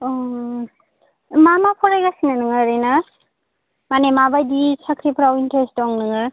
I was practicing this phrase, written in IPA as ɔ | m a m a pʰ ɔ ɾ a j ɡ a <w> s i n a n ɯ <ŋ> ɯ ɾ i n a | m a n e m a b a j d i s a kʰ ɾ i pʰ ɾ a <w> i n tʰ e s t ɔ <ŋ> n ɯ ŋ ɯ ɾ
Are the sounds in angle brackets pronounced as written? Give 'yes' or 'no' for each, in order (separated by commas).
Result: no, yes, yes, yes